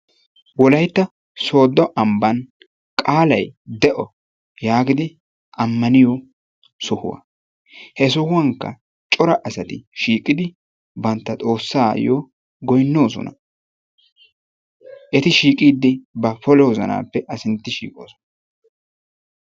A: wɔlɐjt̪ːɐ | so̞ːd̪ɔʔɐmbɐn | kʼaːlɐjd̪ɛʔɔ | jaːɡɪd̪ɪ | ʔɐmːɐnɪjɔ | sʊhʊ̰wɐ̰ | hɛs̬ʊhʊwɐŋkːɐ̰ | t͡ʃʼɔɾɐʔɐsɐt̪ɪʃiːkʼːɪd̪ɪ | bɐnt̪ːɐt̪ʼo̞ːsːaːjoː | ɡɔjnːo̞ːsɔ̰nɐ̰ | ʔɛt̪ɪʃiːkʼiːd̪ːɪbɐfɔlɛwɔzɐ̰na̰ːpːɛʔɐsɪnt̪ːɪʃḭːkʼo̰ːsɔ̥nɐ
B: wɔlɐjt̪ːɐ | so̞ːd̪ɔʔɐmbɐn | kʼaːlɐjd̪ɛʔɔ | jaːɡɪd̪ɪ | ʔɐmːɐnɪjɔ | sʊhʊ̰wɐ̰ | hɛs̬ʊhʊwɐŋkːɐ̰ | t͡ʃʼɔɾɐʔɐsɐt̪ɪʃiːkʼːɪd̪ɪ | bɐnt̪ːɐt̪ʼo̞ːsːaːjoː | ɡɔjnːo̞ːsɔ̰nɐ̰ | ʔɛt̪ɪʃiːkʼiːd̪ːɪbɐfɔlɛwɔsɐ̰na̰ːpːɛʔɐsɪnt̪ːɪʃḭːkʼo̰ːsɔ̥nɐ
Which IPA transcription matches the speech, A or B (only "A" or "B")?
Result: A